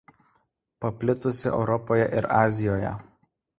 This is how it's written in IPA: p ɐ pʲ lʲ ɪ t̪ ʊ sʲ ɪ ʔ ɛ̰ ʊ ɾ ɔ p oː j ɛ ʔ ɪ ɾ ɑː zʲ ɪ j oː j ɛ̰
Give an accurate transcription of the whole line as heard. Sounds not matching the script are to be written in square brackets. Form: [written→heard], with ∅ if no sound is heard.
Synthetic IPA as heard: p ɐ pʲ lʲ ɪ t̪ ʊ sʲ ɪ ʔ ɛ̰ ʊ ɾ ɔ p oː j ɛ ʔ ɪ ɾ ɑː zʲ ɪ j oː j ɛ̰